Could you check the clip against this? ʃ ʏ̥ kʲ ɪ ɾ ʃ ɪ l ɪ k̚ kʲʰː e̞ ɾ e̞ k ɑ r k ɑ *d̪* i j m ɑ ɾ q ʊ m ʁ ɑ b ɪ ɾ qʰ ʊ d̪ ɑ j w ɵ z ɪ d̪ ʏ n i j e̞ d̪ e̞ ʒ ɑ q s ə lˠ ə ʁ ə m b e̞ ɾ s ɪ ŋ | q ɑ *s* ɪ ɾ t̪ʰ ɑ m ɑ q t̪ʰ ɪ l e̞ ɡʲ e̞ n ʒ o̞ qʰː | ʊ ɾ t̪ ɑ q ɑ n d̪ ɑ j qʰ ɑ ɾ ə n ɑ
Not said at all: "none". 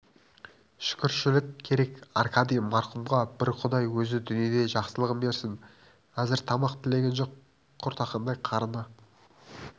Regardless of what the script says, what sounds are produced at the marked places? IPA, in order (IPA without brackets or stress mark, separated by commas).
d̪, z